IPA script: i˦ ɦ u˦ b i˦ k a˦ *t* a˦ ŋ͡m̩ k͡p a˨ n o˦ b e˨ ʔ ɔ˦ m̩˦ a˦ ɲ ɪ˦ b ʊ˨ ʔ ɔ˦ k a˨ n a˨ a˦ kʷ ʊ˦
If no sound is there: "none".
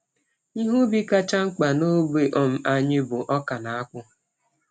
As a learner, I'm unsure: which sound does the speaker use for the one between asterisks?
t͡ʃ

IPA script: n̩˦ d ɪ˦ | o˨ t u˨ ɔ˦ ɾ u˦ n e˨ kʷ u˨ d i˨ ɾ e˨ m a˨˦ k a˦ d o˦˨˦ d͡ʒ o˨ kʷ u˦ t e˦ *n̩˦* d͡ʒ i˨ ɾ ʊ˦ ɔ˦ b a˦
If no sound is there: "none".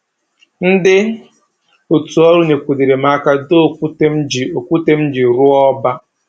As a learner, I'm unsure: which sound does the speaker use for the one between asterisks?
m̩˦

